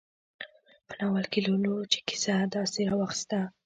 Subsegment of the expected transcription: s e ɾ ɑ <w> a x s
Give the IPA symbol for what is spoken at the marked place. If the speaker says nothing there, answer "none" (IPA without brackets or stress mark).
w